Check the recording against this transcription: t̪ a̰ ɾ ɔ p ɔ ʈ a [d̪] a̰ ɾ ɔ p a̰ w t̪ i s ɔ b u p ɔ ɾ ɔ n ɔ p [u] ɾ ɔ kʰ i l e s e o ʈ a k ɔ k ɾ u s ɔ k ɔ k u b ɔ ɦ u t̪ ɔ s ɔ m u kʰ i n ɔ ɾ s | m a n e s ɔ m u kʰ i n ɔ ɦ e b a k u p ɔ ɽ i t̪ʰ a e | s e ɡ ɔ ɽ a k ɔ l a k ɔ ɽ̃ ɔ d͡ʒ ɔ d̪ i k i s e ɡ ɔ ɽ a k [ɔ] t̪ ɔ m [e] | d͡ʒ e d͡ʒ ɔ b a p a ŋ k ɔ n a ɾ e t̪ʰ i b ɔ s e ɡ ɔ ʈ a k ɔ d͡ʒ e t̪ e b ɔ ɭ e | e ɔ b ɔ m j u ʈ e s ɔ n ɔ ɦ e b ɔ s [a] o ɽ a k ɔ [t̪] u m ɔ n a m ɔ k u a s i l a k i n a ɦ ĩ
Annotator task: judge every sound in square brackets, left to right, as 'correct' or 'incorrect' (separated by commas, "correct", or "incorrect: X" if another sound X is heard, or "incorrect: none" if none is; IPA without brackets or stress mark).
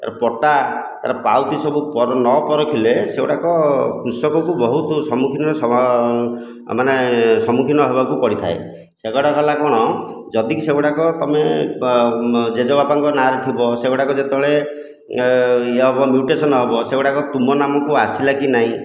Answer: incorrect: t̪, incorrect: ɔ, correct, correct, incorrect: e, correct